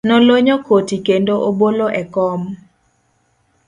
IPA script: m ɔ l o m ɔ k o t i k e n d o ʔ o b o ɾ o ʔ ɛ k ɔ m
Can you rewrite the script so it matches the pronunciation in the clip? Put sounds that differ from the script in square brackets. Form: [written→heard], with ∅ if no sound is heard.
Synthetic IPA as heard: [m→n] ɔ l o [m→ɲ] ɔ k o t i k e n d o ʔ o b o [ɾ→l] o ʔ ɛ k ɔ m